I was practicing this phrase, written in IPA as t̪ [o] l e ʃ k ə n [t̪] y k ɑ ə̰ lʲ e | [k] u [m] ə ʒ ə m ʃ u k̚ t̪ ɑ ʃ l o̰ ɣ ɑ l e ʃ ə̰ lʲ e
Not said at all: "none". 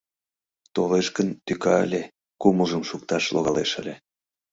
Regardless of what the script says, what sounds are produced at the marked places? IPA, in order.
o, t̪, k, m

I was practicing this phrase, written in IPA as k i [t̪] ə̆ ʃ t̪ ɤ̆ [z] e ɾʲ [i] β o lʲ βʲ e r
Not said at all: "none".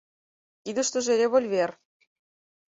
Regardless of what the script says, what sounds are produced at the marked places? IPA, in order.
d̪, ʒ, e

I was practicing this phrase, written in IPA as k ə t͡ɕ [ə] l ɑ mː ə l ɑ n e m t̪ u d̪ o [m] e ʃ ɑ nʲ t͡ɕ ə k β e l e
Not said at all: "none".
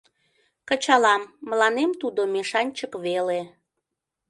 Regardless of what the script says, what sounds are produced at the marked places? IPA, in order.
ɑ, m

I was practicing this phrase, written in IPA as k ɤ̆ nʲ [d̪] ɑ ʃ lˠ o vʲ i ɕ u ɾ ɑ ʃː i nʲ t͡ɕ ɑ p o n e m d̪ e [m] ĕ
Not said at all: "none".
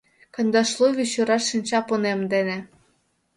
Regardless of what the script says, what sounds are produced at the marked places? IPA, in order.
d̪, n

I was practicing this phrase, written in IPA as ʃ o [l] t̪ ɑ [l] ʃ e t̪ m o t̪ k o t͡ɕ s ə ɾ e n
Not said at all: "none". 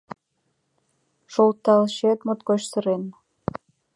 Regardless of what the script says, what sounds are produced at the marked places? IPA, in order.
l, l

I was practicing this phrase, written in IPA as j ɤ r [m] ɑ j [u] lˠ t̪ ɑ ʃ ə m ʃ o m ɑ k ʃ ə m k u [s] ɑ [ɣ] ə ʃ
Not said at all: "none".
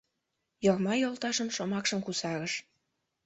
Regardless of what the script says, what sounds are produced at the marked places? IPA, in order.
m, o, s, ɣ

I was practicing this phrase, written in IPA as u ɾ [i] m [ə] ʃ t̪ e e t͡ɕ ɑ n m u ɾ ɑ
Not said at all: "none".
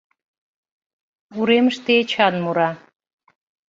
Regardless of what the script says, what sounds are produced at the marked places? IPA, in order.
e, ə

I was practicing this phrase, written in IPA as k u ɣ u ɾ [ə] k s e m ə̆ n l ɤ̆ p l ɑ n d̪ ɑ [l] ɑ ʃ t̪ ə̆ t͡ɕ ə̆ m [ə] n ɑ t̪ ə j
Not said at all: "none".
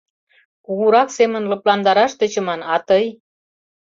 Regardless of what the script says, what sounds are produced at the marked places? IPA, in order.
ɑ, ɾ, ɑ

